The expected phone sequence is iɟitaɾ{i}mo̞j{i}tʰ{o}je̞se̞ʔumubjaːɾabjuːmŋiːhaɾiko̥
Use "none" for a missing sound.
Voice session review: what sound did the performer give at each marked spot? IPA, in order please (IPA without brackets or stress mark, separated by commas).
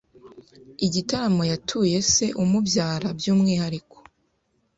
a, a, u